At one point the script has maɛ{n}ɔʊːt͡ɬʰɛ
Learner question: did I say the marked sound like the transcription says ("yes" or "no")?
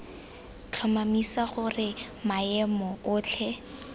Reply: no